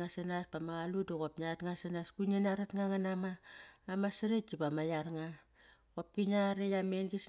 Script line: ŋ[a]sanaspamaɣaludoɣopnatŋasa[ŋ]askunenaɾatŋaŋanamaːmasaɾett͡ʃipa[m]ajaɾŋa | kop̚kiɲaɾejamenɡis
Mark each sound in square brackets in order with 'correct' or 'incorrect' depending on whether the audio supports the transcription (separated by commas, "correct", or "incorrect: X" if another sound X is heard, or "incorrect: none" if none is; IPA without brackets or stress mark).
correct, incorrect: n, correct